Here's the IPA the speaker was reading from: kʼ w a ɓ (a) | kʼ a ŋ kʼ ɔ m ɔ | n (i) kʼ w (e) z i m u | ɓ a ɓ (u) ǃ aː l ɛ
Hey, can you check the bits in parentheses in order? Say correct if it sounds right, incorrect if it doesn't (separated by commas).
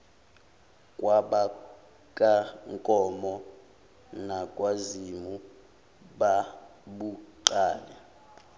correct, incorrect, incorrect, correct